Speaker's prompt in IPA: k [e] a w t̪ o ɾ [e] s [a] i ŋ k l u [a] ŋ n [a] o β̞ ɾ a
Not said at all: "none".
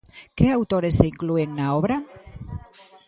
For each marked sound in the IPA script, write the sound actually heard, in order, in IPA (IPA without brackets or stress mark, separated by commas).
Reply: e, e, e, e, a